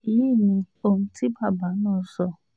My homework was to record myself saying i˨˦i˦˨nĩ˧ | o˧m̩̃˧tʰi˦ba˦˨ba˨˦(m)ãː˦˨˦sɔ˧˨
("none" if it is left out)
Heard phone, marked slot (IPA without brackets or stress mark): n